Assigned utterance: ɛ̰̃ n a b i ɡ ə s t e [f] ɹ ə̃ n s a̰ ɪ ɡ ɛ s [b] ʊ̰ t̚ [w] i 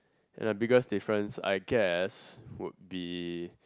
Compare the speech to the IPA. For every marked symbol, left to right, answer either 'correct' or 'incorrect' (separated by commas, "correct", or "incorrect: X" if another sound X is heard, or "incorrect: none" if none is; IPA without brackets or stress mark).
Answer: correct, incorrect: w, incorrect: b